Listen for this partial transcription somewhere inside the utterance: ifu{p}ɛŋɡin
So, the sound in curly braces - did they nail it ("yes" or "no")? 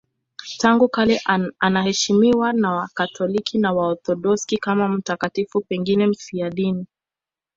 yes